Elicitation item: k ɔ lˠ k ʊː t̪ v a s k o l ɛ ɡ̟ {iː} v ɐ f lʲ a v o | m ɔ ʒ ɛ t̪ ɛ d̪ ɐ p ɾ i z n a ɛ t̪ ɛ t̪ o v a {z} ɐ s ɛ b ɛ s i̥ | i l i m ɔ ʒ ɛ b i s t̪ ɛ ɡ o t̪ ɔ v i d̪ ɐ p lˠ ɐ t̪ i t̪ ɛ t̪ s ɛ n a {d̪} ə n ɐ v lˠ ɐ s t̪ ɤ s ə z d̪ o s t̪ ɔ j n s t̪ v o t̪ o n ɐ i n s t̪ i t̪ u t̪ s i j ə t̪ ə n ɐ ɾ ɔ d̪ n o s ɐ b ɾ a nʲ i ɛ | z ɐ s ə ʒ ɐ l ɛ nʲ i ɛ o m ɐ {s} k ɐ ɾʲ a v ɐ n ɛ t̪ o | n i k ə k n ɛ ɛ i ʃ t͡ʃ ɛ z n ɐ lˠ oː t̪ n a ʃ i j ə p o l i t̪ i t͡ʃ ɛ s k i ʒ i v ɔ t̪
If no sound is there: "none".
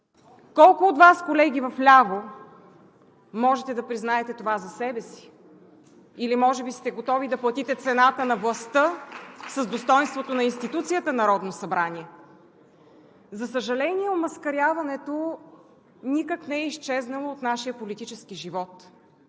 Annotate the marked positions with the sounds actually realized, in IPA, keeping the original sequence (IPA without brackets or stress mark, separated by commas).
i, z, t̪, s